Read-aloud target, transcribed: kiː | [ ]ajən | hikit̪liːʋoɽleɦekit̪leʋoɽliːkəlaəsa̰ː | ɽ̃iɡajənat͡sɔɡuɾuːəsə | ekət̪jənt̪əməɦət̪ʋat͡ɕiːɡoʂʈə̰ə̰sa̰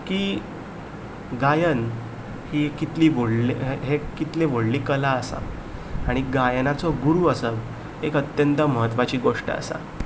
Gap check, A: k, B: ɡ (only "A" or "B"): B